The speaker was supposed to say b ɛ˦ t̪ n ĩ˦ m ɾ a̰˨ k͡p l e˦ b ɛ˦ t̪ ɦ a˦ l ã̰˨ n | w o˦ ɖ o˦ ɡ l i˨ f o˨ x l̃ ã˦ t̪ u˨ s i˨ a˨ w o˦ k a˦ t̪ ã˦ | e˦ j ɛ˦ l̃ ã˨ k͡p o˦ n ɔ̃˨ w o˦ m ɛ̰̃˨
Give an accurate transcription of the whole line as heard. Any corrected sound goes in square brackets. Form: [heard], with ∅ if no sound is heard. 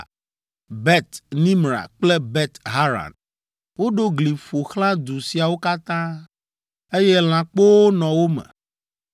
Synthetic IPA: b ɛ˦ t̪ n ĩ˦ m ɾ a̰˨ k͡p l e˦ b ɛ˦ t̪ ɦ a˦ [ɾ] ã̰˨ n | w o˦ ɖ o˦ ɡ l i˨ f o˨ x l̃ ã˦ [d̪] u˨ s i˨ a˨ w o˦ k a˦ t̪ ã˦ | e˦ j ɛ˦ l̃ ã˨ k͡p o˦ n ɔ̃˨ w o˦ m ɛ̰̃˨